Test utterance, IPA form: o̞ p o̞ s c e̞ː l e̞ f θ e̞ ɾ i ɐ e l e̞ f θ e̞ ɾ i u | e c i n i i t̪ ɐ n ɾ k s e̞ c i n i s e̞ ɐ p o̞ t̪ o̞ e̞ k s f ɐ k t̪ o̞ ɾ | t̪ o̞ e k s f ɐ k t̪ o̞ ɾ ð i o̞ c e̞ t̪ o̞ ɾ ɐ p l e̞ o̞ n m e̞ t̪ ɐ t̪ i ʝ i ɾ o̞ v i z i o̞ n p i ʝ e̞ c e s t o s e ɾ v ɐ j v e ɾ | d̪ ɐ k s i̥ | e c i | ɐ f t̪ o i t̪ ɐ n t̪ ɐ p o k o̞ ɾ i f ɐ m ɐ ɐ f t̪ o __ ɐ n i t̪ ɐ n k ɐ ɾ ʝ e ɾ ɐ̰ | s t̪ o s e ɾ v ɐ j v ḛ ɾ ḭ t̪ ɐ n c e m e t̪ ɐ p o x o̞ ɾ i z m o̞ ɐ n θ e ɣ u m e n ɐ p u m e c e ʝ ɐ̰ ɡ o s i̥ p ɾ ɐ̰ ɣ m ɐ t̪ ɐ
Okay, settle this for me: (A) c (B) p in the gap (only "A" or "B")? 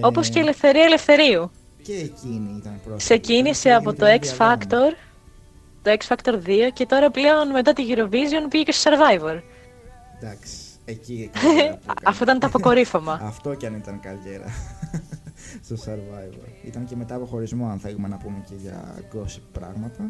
A